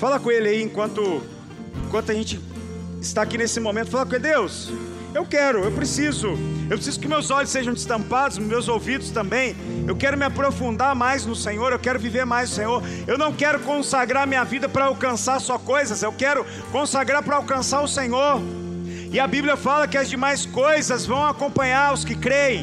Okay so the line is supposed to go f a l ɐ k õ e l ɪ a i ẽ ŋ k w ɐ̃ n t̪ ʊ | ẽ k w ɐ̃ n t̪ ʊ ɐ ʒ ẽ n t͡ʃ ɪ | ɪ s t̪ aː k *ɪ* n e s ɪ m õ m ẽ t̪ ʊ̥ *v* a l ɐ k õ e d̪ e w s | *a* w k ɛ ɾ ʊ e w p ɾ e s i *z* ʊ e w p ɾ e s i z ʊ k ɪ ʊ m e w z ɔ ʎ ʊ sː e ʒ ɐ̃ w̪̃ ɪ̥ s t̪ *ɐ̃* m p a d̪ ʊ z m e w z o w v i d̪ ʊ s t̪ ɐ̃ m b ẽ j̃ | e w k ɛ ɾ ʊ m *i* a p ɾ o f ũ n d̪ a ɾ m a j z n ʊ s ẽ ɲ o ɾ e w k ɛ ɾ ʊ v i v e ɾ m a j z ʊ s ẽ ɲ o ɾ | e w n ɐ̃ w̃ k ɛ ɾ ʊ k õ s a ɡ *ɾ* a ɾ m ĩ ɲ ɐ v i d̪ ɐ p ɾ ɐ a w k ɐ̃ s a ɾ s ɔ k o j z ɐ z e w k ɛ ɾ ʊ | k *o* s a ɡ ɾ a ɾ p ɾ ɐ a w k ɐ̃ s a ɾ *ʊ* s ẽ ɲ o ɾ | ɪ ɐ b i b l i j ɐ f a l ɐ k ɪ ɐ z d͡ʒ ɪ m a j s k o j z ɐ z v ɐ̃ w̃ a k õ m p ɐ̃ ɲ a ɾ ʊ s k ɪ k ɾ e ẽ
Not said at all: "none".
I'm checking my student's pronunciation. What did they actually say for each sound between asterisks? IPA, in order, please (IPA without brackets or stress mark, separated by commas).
i, f, e, z, ɐ̃, ɪ, ɾ, õ, ʊ